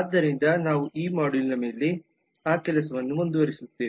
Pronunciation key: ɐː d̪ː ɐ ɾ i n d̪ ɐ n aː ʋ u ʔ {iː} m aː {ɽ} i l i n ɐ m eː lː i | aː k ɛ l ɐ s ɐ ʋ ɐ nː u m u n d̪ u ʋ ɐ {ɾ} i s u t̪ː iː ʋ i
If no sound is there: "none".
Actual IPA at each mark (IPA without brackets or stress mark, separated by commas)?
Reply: iː, ɽ, ɾ